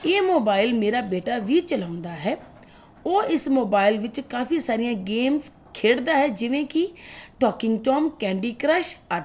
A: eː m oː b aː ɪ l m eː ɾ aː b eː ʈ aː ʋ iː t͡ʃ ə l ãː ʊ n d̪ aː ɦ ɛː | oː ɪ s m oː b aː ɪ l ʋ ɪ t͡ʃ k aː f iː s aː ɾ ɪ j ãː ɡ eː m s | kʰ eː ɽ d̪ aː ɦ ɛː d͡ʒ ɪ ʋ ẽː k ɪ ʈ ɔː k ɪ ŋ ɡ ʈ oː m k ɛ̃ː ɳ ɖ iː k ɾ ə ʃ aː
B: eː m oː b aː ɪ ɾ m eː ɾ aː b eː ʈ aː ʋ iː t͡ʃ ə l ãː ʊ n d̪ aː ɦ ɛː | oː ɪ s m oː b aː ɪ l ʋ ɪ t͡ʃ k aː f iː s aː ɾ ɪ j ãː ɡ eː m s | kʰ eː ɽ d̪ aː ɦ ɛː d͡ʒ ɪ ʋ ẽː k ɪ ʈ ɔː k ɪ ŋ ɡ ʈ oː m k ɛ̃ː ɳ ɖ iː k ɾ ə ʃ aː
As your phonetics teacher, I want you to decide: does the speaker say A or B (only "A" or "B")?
A